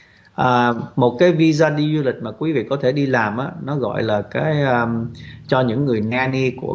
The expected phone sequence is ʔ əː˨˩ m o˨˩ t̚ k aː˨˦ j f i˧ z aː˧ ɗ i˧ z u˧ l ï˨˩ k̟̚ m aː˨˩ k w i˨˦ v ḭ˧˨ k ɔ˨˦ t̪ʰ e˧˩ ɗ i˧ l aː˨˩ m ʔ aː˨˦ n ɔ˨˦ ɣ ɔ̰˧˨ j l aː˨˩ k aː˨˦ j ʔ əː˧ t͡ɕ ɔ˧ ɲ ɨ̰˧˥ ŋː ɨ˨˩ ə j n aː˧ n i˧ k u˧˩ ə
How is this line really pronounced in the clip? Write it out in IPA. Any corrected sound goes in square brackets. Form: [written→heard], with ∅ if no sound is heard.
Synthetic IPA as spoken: ʔ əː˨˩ m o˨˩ t̚ k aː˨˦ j [f→v] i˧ z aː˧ ɗ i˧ z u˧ l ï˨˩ k̟̚ m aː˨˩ k w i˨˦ v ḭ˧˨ k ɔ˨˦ t̪ʰ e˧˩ ɗ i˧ l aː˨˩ m ʔ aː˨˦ n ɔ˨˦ ɣ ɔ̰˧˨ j l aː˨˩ k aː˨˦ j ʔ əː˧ t͡ɕ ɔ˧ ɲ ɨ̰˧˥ ŋː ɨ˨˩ ə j n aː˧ n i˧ k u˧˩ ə